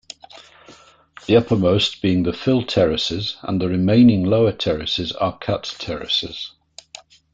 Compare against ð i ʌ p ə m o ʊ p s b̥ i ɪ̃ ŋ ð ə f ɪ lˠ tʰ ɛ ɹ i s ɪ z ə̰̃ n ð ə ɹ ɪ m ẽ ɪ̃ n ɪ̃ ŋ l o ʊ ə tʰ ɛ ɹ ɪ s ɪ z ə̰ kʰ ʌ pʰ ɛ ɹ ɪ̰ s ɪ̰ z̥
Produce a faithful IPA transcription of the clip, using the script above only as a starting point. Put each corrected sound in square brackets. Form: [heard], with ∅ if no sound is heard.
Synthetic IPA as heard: ð i ʌ p ə m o ʊ [∅] s b̥ i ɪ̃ ŋ ð ə f ɪ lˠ tʰ ɛ ɹ [ɪ] s ɪ z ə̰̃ n ð ə ɹ ɪ m ẽ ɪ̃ n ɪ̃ ŋ l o ʊ ə tʰ ɛ ɹ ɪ s ɪ z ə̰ kʰ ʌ [tʰ] ɛ ɹ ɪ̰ s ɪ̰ z̥